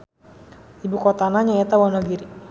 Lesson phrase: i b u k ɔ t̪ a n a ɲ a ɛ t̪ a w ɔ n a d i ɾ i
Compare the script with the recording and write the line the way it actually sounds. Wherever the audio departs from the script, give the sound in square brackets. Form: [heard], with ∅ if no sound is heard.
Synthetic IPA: i b u k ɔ t̪ a n a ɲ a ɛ t̪ a w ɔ n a [ɡ] i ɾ i